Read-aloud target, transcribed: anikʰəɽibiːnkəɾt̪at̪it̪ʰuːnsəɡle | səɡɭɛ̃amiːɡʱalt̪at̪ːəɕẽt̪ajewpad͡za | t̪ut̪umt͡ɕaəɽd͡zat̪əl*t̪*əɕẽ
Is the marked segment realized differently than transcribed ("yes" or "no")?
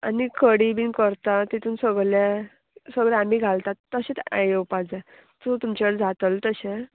no